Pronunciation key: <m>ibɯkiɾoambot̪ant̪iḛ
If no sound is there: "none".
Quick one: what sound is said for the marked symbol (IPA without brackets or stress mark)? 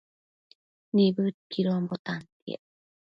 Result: n